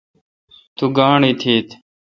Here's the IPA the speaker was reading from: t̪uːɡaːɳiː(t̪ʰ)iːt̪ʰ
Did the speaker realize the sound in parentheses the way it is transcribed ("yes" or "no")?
yes